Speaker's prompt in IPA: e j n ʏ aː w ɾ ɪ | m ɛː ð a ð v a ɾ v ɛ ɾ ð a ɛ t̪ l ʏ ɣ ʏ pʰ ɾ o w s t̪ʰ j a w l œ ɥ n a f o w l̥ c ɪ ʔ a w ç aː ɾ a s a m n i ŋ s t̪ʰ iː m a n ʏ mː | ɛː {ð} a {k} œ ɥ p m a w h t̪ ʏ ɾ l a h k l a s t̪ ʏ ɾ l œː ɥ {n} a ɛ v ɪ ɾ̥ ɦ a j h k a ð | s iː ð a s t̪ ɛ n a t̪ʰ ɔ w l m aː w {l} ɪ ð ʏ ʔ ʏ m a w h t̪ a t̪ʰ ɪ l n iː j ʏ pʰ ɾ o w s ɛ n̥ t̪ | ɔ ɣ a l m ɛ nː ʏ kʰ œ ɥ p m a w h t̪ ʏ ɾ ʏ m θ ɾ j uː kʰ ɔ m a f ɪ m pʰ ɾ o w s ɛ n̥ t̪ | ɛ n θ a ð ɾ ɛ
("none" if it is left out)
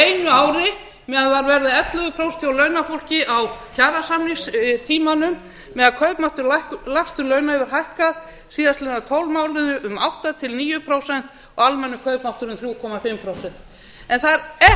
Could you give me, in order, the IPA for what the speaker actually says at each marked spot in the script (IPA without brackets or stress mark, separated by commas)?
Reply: ð, kʰ, n, l